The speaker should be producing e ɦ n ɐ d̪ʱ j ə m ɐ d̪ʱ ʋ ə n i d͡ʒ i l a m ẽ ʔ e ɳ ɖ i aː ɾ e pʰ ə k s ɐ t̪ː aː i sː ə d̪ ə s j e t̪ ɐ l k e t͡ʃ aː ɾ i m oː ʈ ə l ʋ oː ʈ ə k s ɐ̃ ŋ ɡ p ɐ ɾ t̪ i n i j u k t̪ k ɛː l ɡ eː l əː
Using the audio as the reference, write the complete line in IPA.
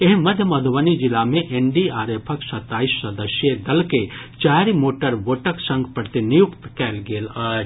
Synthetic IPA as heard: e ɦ m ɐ d̪ʱ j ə m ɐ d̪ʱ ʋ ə n i d͡ʒ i l a m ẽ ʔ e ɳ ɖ i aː ɾ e pʰ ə k s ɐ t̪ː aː i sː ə d̪ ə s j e d̪ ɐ l k e t͡ʃ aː ɾ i m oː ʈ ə ɾ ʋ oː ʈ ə k s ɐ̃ ŋ ɡ p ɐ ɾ t̪ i n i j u k t̪ k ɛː l ɡ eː l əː